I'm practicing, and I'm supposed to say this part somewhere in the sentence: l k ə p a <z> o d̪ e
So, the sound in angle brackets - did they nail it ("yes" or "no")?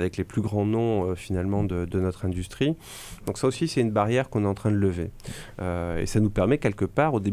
no